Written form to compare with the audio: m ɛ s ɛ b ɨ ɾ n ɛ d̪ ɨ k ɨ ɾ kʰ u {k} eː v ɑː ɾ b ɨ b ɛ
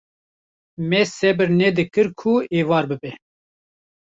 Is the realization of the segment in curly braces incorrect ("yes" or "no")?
yes